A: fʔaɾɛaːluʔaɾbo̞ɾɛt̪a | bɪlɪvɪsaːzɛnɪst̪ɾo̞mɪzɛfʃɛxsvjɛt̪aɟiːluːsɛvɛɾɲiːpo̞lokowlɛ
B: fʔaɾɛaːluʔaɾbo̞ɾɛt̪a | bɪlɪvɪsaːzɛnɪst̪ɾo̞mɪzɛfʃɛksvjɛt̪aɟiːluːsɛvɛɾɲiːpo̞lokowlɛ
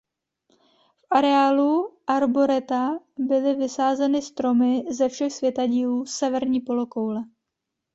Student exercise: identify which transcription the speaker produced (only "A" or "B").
A